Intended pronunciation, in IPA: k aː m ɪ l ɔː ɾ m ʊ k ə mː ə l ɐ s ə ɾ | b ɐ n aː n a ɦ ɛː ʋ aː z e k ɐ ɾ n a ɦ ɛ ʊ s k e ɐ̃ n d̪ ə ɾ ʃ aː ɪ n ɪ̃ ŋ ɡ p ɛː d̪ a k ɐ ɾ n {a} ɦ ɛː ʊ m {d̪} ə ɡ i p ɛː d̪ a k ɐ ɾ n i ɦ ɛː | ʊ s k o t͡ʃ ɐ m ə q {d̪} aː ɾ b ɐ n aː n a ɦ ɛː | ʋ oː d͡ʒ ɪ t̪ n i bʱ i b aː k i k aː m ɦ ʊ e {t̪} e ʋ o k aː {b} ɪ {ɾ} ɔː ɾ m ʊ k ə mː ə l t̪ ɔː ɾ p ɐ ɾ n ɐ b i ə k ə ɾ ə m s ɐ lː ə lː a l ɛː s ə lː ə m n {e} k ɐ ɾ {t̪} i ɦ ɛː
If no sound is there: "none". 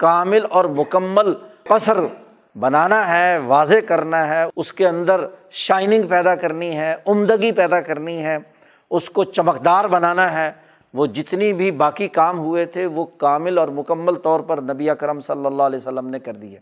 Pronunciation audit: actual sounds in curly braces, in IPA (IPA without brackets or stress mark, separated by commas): i, d̪, d̪, t̪ʰ, m, l, e, d̪